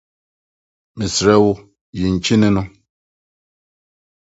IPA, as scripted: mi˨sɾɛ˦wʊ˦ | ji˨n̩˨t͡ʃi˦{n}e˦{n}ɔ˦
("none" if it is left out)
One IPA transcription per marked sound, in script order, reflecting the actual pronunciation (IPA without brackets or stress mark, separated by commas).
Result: n, n